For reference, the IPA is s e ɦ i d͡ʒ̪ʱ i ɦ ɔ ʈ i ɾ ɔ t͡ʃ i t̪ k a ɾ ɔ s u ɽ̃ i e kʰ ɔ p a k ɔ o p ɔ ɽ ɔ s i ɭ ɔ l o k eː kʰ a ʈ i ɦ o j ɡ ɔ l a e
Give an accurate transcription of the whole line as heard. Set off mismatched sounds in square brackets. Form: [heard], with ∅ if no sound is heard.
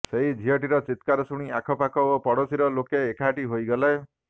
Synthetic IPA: s e ɦ i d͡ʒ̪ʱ i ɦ ɔ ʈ i ɾ ɔ t͡ʃ i t̪ k a ɾ ɔ s u ɽ̃ i [a] kʰ ɔ p a k ɔ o p ɔ ɽ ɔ s i [ɾ] ɔ l o k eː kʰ a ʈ i ɦ o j ɡ ɔ l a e